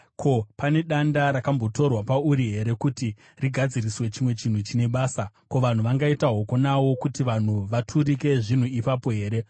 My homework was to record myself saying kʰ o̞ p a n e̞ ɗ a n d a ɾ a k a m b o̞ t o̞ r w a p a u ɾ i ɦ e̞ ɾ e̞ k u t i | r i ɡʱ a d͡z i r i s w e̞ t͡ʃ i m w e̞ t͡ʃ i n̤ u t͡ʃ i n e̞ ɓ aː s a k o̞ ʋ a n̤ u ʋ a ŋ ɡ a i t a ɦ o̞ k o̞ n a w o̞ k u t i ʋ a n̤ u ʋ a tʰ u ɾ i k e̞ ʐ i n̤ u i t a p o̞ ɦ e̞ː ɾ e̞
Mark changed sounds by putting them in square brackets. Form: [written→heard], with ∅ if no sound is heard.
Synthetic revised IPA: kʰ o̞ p a n e̞ ɗ a n d a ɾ a k a m b o̞ t o̞ r w a p a u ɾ i ɦ e̞ ɾ e̞ k u t i | r i ɡʱ a d͡z i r i s w e̞ t͡ʃ i m w e̞ t͡ʃ i n̤ u t͡ʃ i n e̞ ɓ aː s a k o̞ ʋ a n̤ u ʋ a ŋ ɡ a i t a ɦ o̞ k o̞ n a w o̞ k u t i ʋ a n̤ u ʋ a tʰ u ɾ i k e̞ ʐ i n̤ u i [t→p] a p o̞ ɦ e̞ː ɾ e̞